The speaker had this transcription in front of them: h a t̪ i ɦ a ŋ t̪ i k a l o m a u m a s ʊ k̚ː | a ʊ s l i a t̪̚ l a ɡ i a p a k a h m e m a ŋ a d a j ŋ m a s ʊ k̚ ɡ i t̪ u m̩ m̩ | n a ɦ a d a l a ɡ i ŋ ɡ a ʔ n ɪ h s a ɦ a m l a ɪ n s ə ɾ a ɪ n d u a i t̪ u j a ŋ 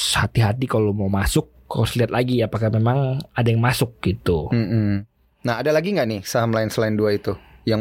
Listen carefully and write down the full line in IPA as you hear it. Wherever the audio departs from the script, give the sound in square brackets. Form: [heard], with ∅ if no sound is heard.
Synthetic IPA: h a t̪ i ɦ a [∅] t̪ i k a l o m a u m a s ʊ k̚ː | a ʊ s l i a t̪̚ l a ɡ i a p a k a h m e m a ŋ a d a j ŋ m a s ʊ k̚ ɡ i t̪ u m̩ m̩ | n a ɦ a d a l a ɡ i ŋ ɡ a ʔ n ɪ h s a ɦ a m l a ɪ n s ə [l] a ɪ n d u a i t̪ u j a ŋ